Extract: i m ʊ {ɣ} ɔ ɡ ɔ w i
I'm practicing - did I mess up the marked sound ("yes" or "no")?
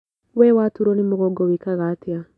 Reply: no